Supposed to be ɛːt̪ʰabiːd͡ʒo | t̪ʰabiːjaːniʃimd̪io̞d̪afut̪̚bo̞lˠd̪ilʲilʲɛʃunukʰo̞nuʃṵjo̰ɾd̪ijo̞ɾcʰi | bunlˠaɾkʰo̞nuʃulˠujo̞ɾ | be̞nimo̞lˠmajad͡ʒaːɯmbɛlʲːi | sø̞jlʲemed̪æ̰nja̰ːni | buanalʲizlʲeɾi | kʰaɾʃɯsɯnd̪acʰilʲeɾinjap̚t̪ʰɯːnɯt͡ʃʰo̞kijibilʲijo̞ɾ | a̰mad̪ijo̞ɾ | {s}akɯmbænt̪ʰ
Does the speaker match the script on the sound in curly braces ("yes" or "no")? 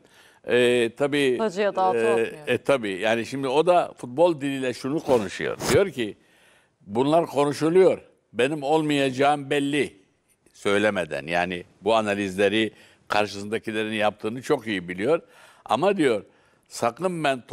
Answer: yes